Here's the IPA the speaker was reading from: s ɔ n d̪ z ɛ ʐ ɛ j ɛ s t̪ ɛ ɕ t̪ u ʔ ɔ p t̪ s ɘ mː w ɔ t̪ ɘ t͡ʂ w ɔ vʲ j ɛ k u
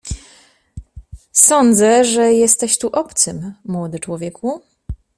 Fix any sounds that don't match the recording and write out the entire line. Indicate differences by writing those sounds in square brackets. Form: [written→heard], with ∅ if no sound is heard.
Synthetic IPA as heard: s ɔ n d̪ z ɛ ʐ ɛ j ɛ s t̪ ɛ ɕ t̪ u ʔ ɔ p t̪ s ɘ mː w ɔ [t̪→d̪] ɘ t͡ʂ w ɔ vʲ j ɛ k u